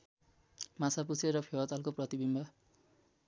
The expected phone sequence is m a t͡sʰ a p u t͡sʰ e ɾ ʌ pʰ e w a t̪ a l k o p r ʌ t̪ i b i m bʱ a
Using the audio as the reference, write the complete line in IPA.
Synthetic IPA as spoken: m a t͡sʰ a p u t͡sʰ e ɾ ʌ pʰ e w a t̪ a l k o p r ʌ t̪ i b i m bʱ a

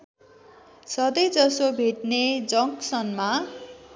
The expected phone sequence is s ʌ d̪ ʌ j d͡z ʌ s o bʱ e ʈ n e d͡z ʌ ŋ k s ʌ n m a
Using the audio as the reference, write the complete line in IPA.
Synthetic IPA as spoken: s ʌ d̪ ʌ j d͡z ʌ s o bʱ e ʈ n e d͡z ʌ ŋ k s ʌ n m a

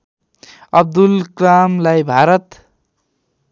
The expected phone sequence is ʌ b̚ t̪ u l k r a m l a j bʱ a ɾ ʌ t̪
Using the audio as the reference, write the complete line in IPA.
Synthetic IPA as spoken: ʌ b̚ d̪ u l k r a m l a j bʱ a ɾ ʌ t̪

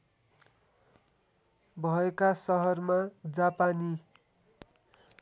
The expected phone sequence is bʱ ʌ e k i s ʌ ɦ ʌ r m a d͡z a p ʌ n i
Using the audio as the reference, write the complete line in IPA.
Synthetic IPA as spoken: bʱ ʌ e k a s ʌ ɦ ʌ r m a d͡z a p a n i

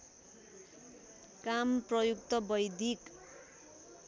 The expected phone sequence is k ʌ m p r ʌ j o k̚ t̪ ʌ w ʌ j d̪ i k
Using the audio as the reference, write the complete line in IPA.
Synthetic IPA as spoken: k a m p r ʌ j u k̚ t̪ ʌ b ʌ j d̪ i k

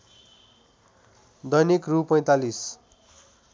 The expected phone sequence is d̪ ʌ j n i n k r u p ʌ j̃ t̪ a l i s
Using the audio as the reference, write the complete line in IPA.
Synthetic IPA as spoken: d̪ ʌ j n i k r u p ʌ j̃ t̪ a l i s

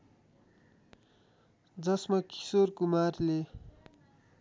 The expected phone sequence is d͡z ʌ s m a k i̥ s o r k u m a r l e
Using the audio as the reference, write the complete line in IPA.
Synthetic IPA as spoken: d͡z ʌ s m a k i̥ s o r k u m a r l e

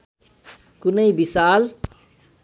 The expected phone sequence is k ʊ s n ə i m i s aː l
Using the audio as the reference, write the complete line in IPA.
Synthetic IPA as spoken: k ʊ n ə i b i s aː l

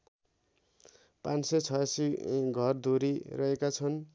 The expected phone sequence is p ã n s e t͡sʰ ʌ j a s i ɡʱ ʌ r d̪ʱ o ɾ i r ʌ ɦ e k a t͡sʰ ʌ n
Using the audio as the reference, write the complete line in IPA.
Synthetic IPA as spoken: p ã n s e t͡sʰ ʌ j a s i ɡʱ ʌ r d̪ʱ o ɾ i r ʌ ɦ e k a t͡sʰ ʌ n

